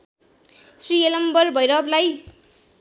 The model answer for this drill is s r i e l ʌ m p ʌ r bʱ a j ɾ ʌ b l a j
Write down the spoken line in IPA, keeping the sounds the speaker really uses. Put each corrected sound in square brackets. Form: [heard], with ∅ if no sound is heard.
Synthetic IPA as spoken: s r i e l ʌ m [b] ʌ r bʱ [ʌ] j ɾ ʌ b l a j

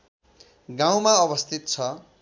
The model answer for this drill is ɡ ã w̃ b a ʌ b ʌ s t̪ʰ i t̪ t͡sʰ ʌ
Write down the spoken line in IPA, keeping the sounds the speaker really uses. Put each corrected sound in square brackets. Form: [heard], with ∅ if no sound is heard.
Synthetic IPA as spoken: ɡ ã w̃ [m] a ʌ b ʌ s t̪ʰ i t̪ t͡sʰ ʌ

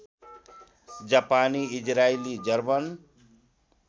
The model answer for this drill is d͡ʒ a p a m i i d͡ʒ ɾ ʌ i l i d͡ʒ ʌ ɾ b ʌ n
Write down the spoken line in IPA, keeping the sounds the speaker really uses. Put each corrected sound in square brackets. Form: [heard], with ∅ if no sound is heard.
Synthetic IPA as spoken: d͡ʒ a p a [n] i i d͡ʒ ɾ [a] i l i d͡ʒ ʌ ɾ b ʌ n

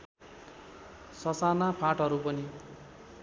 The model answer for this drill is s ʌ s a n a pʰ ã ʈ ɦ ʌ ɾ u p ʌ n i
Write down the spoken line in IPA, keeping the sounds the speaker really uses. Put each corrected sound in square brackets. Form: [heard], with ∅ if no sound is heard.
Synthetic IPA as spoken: s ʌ s a n a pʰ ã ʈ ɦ ʌ ɾ u p ʌ n i

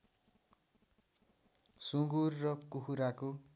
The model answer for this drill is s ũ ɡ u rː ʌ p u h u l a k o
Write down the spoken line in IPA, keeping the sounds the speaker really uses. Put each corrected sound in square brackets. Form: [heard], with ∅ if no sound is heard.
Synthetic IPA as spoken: s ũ ɡ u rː ʌ [k] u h u [ɾ] a k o

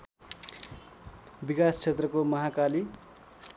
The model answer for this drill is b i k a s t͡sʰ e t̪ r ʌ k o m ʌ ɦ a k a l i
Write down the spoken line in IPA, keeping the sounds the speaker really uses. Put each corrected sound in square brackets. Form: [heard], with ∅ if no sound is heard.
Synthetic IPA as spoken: b i k a s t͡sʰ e t̪ r ʌ k o m ʌ ɦ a k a l i

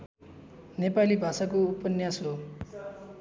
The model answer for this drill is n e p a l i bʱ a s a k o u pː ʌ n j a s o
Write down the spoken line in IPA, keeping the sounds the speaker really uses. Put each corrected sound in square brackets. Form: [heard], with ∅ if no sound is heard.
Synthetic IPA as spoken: n e p a l i bʱ a s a k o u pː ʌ n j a s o

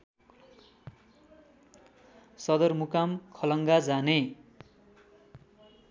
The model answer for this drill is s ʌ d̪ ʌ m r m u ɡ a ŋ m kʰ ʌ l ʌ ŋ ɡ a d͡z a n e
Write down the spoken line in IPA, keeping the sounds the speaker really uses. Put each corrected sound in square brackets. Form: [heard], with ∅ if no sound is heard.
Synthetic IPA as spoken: s ʌ d̪ ʌ [∅] r m u [k] a [∅] m kʰ ʌ l ʌ ŋ ɡ a d͡z a n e

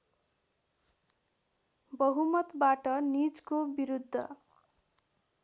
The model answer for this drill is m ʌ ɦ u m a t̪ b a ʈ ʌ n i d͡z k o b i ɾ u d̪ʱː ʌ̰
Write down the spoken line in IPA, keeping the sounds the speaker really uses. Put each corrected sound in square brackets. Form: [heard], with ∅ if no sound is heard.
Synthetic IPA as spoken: [b] ʌ ɦ u m [ʌ] t̪ b a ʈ ʌ n i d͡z k o b i ɾ u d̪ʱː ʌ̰

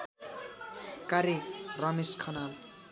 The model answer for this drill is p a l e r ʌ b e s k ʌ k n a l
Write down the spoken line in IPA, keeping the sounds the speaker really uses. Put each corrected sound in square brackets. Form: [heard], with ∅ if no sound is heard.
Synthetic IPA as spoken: [k] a [ɾ] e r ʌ [m] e s [kʰ] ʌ [∅] n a l

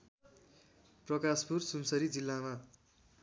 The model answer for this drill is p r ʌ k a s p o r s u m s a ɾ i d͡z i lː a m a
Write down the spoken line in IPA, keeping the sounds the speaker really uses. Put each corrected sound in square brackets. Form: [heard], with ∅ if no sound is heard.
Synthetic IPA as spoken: p r ʌ k a s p [u] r s u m s [ʌ] ɾ i d͡z i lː a m a

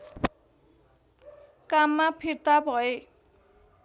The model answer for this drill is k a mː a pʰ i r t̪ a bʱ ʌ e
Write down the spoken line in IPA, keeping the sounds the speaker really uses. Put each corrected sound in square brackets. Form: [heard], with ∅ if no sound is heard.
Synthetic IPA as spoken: k a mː a pʰ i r t̪ a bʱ ʌ e

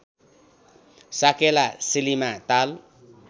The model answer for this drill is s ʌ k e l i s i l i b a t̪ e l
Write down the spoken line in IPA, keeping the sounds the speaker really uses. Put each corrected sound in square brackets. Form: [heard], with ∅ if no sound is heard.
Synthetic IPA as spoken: s [a] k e l [a] s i l i [m] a t̪ [a] l

